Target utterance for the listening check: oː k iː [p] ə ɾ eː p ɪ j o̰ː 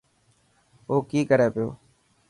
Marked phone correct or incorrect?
incorrect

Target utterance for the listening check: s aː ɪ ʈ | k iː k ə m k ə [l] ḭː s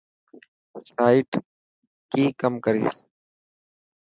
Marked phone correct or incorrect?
incorrect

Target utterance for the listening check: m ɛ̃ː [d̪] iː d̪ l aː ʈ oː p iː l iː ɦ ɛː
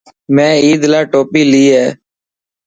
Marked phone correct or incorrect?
incorrect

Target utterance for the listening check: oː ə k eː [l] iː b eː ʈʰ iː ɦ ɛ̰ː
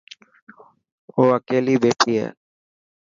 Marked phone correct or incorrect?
correct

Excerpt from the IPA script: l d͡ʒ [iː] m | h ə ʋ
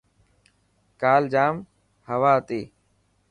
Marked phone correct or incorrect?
incorrect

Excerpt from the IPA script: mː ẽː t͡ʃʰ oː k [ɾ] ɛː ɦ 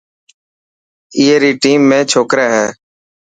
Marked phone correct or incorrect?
correct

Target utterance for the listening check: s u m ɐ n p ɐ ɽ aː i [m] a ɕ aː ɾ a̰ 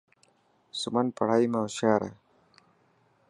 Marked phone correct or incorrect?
correct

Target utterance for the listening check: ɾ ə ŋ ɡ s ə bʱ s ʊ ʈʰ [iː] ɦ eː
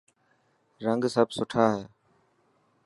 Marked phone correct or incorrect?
incorrect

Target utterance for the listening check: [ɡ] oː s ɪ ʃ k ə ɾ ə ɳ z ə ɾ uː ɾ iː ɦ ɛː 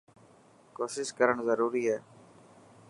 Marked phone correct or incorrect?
incorrect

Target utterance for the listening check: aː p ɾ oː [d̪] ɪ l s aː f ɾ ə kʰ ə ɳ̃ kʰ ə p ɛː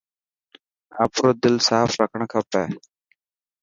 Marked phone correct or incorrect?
correct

